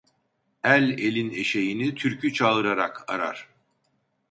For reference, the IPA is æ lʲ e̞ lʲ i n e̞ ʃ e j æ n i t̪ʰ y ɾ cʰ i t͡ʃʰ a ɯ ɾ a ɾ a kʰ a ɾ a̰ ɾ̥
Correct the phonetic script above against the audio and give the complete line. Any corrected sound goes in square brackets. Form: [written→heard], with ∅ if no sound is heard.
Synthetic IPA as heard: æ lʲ e̞ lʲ i n e̞ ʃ e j [æ→i] n i t̪ʰ y ɾ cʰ [i→y] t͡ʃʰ a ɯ ɾ a ɾ a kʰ a ɾ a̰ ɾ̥